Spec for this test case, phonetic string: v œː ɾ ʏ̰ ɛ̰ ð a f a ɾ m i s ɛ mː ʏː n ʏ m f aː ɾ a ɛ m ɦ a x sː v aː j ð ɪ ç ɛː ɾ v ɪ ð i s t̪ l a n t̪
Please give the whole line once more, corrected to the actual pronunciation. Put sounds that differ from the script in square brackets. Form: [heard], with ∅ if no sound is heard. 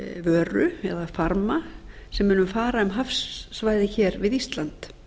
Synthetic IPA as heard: v œː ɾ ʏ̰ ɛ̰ ð a f a ɾ m [a] s ɛ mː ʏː n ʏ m f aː ɾ a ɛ m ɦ a [f] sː v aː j ð ɪ ç ɛː ɾ v ɪ ð i s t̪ l a n t̪